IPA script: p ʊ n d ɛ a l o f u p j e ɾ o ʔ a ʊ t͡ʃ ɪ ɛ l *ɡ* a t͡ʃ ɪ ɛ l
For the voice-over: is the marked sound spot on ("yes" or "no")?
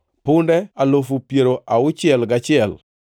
yes